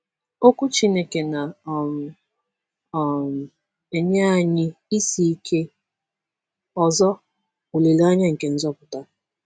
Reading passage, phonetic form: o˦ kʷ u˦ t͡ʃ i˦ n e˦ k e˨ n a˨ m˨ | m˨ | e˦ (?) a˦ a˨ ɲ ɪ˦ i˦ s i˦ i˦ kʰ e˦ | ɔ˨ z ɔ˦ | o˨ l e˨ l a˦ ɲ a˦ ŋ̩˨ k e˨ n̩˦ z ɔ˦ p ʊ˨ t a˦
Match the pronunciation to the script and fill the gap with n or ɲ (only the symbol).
ɲ